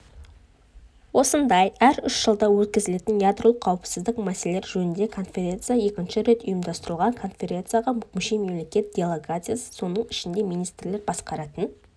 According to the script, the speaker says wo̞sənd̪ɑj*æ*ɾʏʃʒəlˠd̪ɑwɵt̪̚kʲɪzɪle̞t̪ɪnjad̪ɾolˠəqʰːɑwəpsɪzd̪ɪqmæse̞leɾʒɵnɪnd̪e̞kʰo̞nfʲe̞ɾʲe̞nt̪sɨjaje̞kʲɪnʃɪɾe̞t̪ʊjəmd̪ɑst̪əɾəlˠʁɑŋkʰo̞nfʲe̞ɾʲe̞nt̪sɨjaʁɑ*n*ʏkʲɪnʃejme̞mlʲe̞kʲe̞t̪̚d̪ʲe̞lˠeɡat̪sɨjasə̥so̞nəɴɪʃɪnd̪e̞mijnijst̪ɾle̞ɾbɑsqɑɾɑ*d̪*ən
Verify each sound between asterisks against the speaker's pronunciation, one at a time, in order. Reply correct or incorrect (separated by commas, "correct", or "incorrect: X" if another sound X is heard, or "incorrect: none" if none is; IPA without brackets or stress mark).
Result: correct, incorrect: m, incorrect: t̪